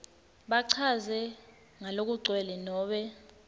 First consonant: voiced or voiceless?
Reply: voiced